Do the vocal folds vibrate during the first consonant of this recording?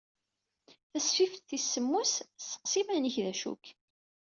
no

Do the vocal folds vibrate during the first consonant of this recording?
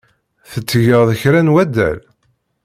no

